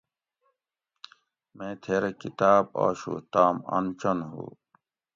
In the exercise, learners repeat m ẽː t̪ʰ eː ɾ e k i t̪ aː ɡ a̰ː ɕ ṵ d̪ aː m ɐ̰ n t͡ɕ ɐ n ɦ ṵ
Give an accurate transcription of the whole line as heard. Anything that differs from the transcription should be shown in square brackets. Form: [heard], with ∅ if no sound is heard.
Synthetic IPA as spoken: m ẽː t̪ʰ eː ɾ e k i t̪ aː [b] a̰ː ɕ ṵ [t̪] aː m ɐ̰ n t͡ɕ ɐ n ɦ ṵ